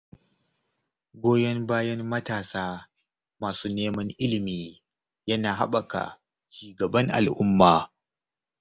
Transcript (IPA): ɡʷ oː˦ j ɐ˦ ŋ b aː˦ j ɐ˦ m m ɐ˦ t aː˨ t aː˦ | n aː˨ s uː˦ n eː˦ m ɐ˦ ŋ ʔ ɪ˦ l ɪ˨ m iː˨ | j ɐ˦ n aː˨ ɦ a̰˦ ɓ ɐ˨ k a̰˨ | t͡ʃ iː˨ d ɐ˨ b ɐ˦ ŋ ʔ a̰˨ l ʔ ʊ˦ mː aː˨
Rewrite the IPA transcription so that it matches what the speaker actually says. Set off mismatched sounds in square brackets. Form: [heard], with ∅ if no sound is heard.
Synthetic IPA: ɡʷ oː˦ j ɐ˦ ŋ b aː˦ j ɐ˦ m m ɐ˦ t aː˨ [s] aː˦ | [m] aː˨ s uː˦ n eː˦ m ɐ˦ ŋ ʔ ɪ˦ l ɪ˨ m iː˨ | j ɐ˦ n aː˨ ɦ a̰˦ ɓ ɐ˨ k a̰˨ | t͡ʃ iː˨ [ɡ] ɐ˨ b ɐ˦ ŋ ʔ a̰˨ l ʔ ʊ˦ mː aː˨